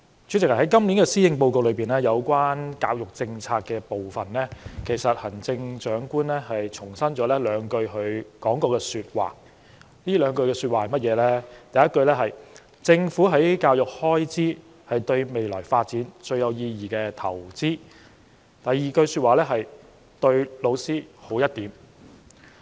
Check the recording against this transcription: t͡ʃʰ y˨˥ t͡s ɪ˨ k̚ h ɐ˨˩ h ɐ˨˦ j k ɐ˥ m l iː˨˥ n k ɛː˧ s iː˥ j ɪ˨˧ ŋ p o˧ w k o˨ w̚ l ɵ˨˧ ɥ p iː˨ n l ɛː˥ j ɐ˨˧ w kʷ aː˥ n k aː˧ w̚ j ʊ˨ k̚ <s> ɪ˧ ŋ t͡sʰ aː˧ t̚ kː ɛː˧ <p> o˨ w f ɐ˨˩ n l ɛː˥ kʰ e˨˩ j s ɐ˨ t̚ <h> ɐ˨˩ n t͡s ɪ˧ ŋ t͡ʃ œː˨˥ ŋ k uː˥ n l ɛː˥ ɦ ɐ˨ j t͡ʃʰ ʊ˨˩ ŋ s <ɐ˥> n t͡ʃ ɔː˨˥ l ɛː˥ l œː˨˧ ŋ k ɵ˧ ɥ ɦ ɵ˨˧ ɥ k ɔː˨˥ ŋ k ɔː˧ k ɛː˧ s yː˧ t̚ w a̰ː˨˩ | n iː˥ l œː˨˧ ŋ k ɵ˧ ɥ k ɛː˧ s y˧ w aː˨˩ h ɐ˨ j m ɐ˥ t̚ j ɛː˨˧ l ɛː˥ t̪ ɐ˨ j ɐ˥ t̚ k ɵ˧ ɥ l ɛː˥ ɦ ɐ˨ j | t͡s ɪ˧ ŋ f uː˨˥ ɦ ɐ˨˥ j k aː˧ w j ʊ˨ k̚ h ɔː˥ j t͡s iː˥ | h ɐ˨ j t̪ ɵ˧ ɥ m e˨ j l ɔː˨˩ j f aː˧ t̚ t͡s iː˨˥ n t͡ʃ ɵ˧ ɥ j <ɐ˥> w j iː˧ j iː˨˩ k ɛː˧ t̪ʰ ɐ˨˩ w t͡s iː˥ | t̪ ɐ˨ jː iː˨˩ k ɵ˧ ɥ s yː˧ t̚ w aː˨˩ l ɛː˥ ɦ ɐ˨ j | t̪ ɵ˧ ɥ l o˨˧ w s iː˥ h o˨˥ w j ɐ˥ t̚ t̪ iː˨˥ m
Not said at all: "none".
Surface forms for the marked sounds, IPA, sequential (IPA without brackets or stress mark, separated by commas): t͡s, p, h, ɐ˥, ɐ˨˧